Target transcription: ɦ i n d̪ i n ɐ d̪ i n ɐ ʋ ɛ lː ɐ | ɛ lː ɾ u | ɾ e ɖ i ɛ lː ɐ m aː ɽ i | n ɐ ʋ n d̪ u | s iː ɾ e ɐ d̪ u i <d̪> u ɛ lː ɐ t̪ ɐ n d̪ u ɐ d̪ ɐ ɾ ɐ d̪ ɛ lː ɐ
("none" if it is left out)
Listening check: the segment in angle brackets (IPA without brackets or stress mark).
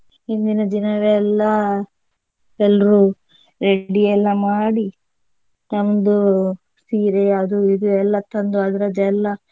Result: d̪